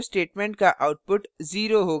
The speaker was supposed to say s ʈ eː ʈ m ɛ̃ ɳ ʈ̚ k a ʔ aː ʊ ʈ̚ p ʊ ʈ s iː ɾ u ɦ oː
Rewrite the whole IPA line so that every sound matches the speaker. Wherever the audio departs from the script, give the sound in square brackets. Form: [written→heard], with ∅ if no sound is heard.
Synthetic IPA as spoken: s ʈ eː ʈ m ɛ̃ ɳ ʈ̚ k a ʔ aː ʊ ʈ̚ p ʊ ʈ [s→z] iː ɾ [u→o] ɦ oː